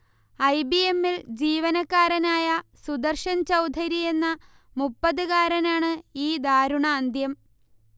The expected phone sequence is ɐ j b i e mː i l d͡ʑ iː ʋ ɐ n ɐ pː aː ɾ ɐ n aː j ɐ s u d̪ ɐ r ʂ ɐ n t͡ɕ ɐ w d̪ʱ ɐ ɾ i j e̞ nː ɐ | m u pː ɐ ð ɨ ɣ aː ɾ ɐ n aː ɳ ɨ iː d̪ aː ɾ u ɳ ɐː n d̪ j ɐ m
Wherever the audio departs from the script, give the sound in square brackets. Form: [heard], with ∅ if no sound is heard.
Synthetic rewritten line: ɐ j b i e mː i l d͡ʑ iː ʋ ɐ n ɐ [kː] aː ɾ ɐ n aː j ɐ s u d̪ ɐ r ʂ ɐ n t͡ɕ ɐ w d̪ʱ ɐ ɾ i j e̞ nː ɐ | m u pː ɐ ð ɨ ɣ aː ɾ ɐ n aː ɳ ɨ iː d̪ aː ɾ u ɳ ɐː n d̪ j ɐ m